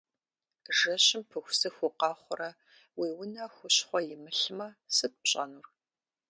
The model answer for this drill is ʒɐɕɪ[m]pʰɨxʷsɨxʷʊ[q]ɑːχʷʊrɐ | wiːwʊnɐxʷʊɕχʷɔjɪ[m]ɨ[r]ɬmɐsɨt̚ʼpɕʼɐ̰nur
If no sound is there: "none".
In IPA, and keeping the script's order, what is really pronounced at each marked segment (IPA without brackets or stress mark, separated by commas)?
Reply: m, q, m, none